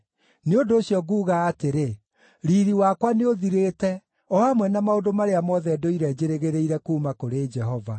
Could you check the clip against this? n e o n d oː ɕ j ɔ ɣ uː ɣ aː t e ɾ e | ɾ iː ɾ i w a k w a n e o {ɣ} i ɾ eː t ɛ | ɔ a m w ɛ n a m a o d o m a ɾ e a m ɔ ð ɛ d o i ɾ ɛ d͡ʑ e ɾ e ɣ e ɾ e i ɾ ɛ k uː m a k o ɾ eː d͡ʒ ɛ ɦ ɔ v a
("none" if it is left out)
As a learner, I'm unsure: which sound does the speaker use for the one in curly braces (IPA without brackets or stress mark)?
ð